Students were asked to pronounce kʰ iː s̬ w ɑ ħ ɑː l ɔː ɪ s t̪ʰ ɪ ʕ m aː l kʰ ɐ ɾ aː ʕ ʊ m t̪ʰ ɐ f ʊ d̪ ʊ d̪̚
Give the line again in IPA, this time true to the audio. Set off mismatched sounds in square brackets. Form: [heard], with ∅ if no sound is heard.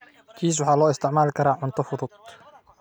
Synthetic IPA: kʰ iː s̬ w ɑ ħ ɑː l ɔː ɪ s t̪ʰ ɪ ʕ m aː l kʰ ɐ ɾ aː ʕ ʊ [n] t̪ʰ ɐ f ʊ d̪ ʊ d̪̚